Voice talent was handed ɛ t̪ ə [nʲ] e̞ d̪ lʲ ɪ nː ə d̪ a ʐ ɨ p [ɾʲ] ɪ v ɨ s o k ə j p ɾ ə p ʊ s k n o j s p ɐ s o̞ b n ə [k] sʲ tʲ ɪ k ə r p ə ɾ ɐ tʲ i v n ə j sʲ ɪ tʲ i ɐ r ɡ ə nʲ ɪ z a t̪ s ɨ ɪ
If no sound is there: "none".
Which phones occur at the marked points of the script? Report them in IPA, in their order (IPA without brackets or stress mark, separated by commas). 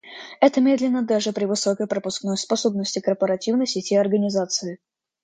mʲ, ɾʲ, none